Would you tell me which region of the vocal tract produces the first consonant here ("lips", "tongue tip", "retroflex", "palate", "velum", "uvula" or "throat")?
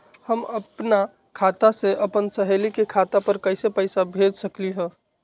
throat